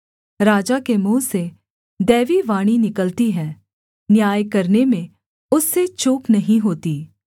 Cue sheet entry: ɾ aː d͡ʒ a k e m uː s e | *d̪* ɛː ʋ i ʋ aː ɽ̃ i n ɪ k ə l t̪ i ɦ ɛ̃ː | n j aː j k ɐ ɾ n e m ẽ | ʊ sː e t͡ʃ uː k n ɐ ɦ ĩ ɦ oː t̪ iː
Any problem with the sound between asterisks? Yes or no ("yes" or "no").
no